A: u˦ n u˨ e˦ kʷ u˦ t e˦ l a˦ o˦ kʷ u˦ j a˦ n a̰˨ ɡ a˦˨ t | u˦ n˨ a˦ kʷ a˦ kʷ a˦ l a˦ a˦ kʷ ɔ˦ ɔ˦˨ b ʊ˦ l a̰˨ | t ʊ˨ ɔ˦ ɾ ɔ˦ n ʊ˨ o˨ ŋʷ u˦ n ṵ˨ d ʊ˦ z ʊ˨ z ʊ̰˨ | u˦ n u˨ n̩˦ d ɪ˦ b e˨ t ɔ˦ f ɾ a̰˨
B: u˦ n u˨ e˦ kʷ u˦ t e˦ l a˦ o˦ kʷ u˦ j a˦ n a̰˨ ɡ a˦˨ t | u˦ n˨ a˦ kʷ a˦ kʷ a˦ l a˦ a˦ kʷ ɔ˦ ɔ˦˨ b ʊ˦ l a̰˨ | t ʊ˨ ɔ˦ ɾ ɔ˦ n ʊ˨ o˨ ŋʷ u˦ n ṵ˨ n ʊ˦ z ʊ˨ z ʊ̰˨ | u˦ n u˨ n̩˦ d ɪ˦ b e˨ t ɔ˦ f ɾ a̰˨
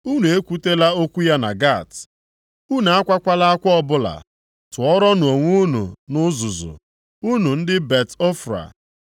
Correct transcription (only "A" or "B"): B